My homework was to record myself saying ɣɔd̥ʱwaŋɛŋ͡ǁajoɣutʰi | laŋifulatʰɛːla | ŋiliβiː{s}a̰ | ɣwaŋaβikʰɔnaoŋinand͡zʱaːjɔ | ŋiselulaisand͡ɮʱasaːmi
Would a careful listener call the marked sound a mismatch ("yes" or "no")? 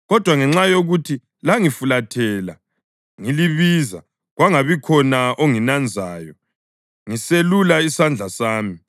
yes